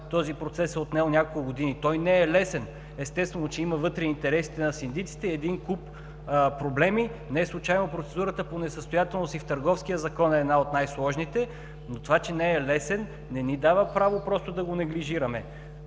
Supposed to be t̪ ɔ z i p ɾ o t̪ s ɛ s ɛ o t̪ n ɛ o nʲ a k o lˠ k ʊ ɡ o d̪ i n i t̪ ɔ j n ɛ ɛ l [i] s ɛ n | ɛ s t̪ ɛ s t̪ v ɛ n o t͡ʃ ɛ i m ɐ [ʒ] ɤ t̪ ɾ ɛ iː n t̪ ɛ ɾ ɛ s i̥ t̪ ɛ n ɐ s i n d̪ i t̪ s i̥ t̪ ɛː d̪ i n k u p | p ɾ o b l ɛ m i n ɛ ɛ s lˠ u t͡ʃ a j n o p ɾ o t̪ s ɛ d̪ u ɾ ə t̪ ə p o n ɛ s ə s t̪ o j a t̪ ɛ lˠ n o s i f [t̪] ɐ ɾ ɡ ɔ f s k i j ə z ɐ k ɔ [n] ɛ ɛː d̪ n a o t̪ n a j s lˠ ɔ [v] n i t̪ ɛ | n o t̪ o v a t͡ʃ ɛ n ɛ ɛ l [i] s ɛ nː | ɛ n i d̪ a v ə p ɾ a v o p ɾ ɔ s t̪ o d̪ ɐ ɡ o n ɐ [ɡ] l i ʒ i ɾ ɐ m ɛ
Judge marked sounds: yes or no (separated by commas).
no, no, yes, yes, no, no, yes